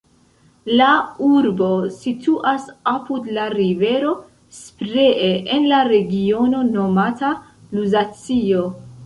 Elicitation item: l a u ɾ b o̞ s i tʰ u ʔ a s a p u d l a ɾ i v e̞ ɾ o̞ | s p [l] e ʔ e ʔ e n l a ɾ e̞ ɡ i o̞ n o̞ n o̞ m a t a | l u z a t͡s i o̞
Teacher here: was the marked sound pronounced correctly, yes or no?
no